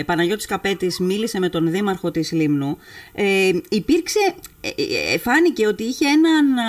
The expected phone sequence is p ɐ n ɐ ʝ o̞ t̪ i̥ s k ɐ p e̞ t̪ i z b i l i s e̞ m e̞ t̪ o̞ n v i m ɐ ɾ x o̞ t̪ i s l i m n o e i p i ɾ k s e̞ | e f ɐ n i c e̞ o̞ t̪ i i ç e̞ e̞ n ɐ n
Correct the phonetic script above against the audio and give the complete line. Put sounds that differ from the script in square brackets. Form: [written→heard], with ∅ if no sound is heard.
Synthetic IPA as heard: p ɐ n ɐ ʝ o̞ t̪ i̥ s k ɐ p e̞ t̪ i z [b→m] i l i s e̞ m e̞ t̪ o̞ n [v→ð] i m ɐ ɾ x o̞ t̪ i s l i m n [o→u] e i p i ɾ k s e̞ | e f ɐ n i c e̞ o̞ t̪ i i ç e̞ e̞ n ɐ n